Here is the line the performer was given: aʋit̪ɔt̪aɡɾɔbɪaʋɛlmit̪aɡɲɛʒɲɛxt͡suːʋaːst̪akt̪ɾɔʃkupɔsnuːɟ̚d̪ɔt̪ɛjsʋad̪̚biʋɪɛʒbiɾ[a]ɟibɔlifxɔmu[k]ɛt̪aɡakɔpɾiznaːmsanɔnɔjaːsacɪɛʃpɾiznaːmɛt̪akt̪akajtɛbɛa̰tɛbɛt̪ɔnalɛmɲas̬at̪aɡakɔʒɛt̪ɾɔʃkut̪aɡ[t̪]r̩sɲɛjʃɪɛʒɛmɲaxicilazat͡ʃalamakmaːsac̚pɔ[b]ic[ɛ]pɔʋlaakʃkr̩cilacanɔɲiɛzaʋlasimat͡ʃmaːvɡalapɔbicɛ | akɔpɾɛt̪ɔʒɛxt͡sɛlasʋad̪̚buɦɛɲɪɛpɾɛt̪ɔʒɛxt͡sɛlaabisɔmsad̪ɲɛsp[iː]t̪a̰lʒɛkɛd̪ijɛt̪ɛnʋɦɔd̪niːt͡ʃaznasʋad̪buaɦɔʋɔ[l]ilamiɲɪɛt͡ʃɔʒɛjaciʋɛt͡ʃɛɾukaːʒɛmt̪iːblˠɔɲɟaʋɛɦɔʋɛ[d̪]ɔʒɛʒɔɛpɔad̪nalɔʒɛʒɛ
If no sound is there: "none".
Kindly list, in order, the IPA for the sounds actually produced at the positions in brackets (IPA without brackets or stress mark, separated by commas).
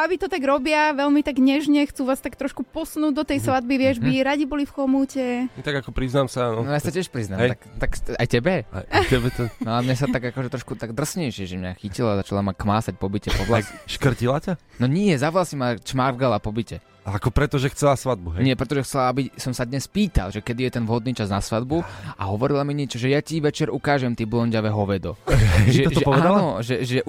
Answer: a, c, d̪, b, ɛ, iː, ɾ, d̪